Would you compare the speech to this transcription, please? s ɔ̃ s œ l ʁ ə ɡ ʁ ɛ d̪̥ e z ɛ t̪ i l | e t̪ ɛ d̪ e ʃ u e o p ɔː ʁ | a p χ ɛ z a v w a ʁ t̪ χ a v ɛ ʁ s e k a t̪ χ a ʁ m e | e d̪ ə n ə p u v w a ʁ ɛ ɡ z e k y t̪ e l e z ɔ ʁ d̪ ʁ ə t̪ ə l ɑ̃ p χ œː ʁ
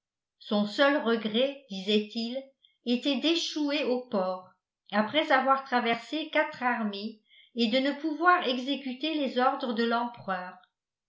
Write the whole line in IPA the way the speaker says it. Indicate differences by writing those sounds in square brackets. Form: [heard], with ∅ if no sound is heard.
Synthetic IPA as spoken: s ɔ̃ s œ l ʁ ə ɡ ʁ ɛ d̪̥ [i] z ɛ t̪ i l | e t̪ ɛ d̪ e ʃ u e o p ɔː ʁ | a p χ ɛ z a v w a ʁ t̪ χ a v ɛ ʁ s e k a t̪ χ a ʁ m e | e d̪ ə n ə p u v w a ʁ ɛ ɡ z e k y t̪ e l e z ɔ ʁ d̪ ʁ ə [d̪] ə l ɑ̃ p χ œː ʁ